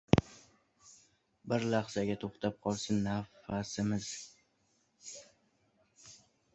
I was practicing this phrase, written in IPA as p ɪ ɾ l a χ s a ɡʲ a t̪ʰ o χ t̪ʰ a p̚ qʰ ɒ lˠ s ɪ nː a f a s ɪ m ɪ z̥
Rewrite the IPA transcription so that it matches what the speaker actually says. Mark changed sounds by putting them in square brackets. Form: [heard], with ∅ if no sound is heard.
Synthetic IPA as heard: [b] ɪ ɾ l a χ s a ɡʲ a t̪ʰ o χ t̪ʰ a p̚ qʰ ɒ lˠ s ɪ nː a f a s ɪ m ɪ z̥

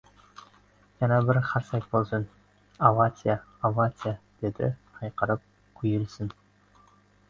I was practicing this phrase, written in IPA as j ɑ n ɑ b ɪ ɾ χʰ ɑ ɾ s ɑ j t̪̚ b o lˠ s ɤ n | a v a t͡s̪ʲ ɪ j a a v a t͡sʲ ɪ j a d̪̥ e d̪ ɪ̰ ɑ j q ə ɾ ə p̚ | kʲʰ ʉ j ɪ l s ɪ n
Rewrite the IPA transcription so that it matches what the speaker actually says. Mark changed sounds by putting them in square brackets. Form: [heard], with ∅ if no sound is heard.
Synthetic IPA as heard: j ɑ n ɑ b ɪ ɾ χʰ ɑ ɾ s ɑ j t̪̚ b o lˠ s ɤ n | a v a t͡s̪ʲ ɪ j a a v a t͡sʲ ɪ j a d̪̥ e d̪ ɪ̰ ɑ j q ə ɾ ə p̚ | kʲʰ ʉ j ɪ l s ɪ n

